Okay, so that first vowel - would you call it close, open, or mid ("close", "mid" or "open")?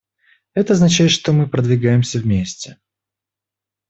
mid